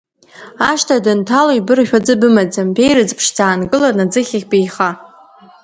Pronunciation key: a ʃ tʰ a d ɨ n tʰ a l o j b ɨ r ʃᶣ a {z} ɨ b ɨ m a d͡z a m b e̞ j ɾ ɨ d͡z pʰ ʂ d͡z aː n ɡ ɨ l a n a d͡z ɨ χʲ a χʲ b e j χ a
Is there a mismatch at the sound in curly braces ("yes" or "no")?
yes